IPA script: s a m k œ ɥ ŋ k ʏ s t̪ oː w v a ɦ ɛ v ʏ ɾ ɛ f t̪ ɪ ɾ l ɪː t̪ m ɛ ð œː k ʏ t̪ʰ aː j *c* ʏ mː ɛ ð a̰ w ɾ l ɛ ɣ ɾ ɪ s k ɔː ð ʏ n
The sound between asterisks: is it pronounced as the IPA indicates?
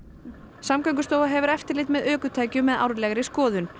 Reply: yes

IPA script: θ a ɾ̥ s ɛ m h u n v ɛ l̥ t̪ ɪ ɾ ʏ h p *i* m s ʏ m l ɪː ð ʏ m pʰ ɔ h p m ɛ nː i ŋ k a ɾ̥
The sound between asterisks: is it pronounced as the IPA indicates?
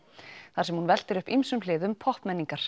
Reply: yes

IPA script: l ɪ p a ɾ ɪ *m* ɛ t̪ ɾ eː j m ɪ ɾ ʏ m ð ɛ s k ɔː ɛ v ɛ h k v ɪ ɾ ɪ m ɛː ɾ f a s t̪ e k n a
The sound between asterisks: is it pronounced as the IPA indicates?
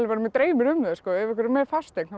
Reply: yes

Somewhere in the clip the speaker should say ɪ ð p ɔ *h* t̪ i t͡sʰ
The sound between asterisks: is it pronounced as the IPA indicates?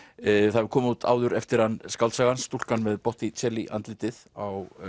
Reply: yes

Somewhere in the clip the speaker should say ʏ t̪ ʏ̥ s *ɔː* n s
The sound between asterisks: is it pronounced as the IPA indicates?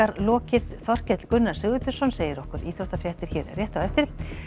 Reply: no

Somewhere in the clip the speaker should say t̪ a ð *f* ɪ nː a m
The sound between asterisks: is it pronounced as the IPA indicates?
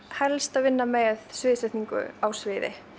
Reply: no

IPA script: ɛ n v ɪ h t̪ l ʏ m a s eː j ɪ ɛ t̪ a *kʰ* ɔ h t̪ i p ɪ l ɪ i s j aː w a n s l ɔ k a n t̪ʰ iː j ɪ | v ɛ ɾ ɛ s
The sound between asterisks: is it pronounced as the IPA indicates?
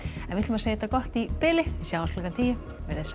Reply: no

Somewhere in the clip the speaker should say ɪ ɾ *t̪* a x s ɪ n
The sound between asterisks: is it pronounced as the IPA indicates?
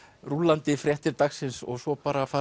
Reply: yes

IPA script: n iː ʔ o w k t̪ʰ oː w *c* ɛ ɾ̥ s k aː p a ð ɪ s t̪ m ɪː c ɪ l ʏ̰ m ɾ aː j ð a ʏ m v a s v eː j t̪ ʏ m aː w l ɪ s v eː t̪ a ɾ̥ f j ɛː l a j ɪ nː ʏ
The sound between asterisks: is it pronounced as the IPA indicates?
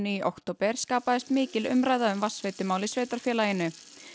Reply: no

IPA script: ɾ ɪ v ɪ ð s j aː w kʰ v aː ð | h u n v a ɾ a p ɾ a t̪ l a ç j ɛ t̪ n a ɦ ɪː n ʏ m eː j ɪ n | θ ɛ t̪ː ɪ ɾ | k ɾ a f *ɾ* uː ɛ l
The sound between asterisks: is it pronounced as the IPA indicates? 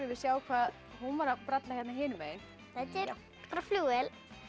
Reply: no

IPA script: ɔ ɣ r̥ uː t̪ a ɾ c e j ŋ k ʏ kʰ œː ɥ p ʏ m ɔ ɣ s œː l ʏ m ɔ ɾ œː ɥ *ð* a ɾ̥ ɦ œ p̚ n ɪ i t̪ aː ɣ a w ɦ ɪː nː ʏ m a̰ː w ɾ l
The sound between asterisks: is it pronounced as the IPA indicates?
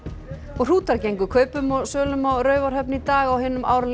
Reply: no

